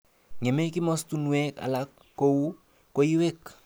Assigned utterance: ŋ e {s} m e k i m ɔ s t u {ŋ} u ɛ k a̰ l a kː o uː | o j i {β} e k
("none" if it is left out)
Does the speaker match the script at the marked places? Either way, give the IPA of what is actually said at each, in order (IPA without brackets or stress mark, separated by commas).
none, n, w